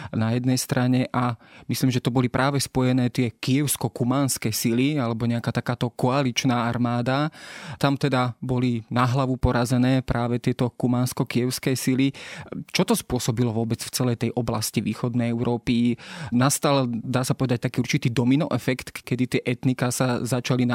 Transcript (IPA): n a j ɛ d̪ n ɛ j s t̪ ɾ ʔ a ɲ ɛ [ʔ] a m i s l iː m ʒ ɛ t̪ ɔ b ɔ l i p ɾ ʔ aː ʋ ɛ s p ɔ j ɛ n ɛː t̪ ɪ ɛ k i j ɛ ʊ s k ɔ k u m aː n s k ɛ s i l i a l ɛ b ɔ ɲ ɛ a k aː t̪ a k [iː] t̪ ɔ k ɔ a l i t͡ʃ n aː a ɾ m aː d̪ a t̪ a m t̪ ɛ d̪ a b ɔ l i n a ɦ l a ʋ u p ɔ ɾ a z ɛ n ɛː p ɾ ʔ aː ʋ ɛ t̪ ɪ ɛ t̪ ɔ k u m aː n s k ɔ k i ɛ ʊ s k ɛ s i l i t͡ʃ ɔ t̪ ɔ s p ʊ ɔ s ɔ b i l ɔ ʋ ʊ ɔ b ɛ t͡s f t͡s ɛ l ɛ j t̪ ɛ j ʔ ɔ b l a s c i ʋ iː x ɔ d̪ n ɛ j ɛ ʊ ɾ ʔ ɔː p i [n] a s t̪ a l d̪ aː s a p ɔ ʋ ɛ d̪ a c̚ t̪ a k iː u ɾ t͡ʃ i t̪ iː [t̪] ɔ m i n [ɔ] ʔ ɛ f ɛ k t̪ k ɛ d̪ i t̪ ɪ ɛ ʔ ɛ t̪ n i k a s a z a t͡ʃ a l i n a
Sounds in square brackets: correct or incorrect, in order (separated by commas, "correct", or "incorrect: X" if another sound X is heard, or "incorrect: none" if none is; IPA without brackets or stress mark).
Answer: correct, incorrect: aː, correct, incorrect: d̪, correct